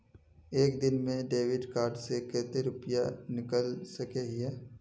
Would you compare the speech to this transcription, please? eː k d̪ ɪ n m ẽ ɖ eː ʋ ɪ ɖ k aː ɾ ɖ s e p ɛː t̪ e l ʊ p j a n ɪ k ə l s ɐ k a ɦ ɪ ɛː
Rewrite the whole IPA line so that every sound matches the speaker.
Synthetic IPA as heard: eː k d̪ ɪ n m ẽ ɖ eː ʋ ɪ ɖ k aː ɾ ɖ s e k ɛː t̪ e ɾ ʊ p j a n ɪ k ə l s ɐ k e ɦ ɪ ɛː